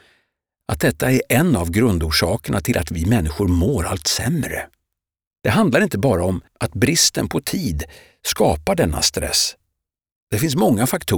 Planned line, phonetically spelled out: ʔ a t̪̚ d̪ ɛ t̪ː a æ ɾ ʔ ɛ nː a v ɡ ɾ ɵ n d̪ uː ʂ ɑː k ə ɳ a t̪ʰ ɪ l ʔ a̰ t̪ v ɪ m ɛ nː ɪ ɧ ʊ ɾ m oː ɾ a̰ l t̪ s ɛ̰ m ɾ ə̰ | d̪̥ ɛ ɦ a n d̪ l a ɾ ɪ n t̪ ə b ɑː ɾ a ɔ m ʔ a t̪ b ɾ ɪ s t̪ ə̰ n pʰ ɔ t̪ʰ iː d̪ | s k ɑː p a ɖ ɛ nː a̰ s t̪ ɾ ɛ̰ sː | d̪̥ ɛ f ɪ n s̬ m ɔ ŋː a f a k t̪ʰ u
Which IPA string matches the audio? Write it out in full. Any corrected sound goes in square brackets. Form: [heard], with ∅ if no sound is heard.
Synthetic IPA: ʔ a t̪̚ d̪ ɛ t̪ː a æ ɾ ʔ ɛ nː a v ɡ ɾ ɵ n d̪ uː ʂ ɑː k ə ɳ a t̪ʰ ɪ l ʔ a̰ t̪ v ɪ m ɛ nː ɪ ɧ ʊ ɾ m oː ɾ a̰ l t̪ s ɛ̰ m ɾ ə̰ | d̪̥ ɛ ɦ a n d̪ l a ɾ ɪ n t̪ ə b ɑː ɾ a ɔ m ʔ a t̪ b ɾ ɪ s t̪ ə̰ n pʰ ɔ t̪ʰ iː d̪ | s k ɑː p a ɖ ɛ nː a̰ s t̪ ɾ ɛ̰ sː | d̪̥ ɛ f ɪ n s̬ m ɔ ŋː a f a k t̪ʰ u